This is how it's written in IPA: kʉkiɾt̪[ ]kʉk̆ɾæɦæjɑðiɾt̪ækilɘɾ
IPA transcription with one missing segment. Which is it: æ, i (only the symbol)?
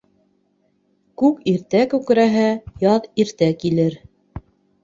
æ